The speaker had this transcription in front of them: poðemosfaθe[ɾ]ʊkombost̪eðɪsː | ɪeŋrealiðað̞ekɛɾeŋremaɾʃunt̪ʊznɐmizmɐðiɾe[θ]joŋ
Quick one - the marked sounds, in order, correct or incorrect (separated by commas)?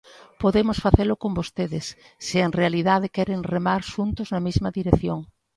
incorrect, correct